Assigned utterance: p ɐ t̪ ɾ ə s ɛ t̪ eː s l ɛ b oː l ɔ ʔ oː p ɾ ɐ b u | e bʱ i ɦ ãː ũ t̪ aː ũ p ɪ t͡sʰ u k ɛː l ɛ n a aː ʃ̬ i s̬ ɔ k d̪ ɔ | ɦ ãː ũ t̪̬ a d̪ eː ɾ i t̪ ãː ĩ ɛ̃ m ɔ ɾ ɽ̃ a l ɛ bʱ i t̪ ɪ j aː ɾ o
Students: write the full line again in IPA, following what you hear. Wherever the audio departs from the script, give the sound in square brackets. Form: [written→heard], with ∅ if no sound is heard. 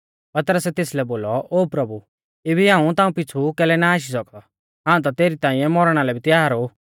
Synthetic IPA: p ɐ t̪ ɾ ə s ɛ t̪ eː s l ɛ b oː l ɔ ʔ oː p ɾ ɐ b u | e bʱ i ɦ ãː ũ t̪ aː ũ p ɪ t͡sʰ u k ɛː l ɛ n a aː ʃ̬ i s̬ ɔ k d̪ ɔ | ɦ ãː ũ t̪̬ a [d̪→t̪] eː ɾ i t̪ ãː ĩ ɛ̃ m ɔ ɾ ɽ̃ a l ɛ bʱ i t̪ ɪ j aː ɾ o